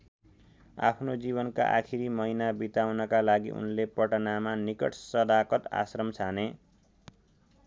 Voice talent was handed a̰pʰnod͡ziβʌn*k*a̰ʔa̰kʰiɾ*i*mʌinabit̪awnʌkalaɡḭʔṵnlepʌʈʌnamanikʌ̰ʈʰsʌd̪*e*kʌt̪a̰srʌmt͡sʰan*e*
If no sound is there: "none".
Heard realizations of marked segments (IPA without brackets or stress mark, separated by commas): k, i, a, e